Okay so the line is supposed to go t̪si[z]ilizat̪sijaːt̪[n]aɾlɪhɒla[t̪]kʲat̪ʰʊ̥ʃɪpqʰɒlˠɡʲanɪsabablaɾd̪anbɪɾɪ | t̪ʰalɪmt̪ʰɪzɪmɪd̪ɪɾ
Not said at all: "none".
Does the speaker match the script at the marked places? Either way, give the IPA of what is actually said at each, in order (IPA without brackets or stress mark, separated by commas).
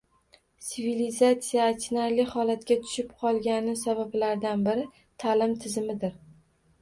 v, n, t̪